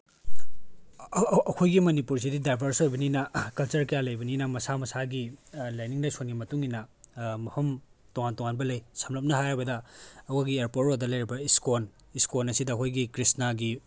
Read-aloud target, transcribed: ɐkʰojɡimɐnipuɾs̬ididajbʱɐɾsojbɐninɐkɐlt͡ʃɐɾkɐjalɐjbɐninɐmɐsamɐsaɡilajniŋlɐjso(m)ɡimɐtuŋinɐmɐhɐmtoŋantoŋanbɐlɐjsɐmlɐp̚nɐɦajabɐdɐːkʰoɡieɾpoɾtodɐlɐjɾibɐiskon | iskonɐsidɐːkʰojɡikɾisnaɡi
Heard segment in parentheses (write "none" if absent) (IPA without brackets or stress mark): n